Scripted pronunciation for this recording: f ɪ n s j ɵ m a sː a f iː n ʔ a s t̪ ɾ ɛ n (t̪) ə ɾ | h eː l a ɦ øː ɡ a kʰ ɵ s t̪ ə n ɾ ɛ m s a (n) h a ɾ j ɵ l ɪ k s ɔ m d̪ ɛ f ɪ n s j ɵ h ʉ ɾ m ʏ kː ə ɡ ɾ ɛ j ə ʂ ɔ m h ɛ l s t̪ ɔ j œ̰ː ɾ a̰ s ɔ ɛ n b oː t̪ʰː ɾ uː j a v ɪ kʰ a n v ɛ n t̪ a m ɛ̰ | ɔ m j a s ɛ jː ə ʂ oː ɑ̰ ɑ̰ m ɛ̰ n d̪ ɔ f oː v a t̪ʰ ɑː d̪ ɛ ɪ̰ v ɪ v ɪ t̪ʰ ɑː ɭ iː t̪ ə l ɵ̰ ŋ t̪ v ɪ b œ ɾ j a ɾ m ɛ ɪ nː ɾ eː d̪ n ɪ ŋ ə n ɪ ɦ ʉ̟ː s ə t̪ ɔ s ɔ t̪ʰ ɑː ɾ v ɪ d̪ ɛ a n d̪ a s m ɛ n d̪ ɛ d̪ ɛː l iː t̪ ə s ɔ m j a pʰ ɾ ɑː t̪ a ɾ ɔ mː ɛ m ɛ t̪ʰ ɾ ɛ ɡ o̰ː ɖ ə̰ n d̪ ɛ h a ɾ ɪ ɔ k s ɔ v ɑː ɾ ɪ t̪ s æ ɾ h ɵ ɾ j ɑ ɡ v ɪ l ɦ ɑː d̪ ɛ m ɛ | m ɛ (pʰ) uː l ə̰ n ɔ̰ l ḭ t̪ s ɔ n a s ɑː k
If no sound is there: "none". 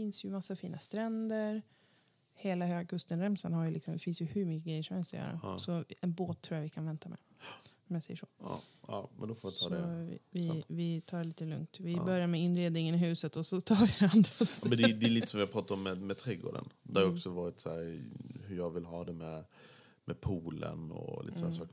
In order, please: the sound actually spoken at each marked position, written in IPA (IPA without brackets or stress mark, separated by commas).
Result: d̪, n, pʰ